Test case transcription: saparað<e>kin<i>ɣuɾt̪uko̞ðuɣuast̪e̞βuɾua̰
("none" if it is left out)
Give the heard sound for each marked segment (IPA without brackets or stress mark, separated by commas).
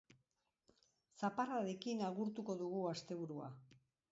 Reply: e, a